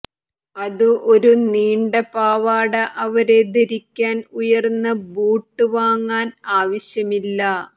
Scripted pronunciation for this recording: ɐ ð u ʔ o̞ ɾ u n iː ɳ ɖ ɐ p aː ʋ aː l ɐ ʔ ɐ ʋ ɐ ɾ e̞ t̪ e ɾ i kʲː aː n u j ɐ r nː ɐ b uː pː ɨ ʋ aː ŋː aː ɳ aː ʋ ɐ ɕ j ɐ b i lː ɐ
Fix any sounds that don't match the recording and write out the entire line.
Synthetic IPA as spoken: ɐ ð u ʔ o̞ ɾ u n iː ɳ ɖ ɐ p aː ʋ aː ɽ ɐ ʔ ɐ ʋ ɐ ɾ e̞ d̪ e ɾ i kʲː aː n u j ɐ r nː ɐ b uː ʈː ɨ ʋ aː ŋː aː n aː ʋ ɐ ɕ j ɐ m i lː ɐ

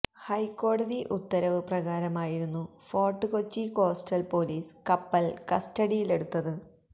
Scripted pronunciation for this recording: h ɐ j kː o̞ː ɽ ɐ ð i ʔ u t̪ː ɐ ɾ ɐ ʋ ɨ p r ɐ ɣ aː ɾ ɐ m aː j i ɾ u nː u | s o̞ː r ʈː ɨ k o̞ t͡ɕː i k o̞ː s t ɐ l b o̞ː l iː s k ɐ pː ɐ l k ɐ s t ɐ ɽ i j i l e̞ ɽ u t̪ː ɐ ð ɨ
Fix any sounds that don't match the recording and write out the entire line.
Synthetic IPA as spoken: h ɐ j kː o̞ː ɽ ɐ ð i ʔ u t̪ː ɐ ɾ ɐ ʋ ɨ p r ɐ ɣ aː ɾ ɐ m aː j i ɾ u nː u | f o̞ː r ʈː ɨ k o̞ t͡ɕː i k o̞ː s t ɐ l p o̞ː l iː s k ɐ pː ɐ l k ɐ s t ɐ ɽ i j i l e̞ ɽ u t̪ː ɐ ð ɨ

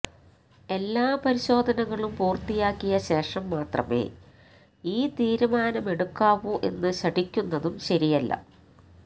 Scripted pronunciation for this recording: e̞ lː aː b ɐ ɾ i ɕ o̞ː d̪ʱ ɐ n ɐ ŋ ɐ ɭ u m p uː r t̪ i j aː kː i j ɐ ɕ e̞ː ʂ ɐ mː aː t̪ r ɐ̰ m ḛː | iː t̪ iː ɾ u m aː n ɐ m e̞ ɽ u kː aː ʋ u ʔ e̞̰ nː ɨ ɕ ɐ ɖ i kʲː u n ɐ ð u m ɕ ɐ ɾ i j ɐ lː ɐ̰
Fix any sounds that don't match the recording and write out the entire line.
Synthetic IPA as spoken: e̞ lː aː p ɐ ɾ i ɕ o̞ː d̪ʱ ɐ n ɐ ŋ ɐ ɭ u m p uː r t̪ i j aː kː i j ɐ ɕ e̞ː ʂ ɐ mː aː t̪ r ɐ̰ m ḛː | iː t̪ iː ɾ u m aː n ɐ m e̞ ɽ u kː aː ʋ u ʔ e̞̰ nː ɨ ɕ ɐ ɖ i kʲː u nː ɐ ð u m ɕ ɐ ɾ i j ɐ lː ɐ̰

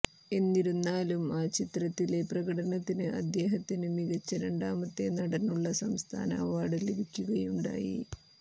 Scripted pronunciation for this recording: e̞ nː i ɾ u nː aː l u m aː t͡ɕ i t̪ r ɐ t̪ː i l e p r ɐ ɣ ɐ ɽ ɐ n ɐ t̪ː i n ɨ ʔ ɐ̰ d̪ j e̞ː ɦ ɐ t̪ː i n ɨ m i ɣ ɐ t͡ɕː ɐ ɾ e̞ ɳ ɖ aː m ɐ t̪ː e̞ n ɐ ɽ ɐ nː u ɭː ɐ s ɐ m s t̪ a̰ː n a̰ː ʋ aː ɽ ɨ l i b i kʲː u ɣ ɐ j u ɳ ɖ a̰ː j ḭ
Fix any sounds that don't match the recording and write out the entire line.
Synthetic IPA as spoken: e̞ nː i ɾ u nː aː l u m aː t͡ɕ i t̪ r ɐ t̪ː i l e p r ɐ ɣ ɐ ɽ ɐ n ɐ t̪ː i n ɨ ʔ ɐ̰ d̪ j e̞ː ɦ ɐ t̪ː i n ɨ m i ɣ ɐ t͡ɕː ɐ ɾ e̞ ɳ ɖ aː m ɐ t̪ː e̞ n ɐ ɽ ɐ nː u ɭː ɐ s ɐ m s t̪ʰ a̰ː n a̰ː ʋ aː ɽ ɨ l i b i kʲː u ɣ ɐ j u ɳ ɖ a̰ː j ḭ

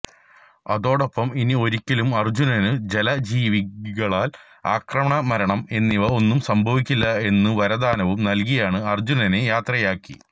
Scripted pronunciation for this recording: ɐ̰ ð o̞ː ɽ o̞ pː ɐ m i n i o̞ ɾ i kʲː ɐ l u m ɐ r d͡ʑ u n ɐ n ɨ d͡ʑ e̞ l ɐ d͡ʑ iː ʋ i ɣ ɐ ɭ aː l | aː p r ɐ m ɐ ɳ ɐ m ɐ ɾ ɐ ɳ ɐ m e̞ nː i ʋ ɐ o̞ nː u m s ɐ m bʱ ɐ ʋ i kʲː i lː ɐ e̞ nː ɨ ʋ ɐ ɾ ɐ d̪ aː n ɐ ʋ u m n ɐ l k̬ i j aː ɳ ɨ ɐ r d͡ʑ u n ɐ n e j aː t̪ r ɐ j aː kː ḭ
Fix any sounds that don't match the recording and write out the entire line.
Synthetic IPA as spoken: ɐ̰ ð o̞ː ɽ o̞ pː ɐ m i n i o̞ ɾ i kʲː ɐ l u m ɐ r d͡ʑ u n ɐ n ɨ d͡ʑ e̞ l ɐ d͡ʑ iː ʋ i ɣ ɐ ɭ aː l | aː k r ɐ m ɐ ɳ ɐ m ɐ ɾ ɐ ɳ ɐ m e̞ nː i ʋ ɐ o̞ nː u m s ɐ m bʱ ɐ ʋ i kʲː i lː ɐ e̞ nː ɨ ʋ ɐ ɾ ɐ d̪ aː n ɐ ʋ u m n ɐ l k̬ i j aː ɳ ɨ ɐ r d͡ʑ u n ɐ n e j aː t̪ r ɐ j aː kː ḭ

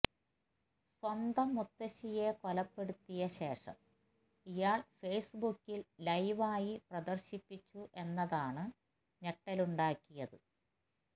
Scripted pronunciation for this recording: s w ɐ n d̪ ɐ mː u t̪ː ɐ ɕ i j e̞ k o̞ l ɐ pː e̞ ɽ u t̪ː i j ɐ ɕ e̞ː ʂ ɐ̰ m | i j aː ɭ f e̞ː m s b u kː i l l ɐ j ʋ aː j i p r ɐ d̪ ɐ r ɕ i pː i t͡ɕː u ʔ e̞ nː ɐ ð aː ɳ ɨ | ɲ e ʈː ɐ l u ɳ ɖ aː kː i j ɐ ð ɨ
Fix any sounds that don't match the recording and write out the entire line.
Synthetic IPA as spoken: s w ɐ n d̪ ɐ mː u t̪ː ɐ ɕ i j e̞ k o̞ l ɐ pː e̞ ɽ u t̪ː i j ɐ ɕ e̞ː ʂ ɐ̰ m | i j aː ɭ f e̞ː s b u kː i l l ɐ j ʋ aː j i p r ɐ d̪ ɐ r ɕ i pː i t͡ɕː u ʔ e̞ nː ɐ ð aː ɳ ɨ | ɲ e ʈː ɐ l u ɳ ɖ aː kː i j ɐ ð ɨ

